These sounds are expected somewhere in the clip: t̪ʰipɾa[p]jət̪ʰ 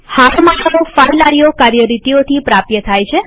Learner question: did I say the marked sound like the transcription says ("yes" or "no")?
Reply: yes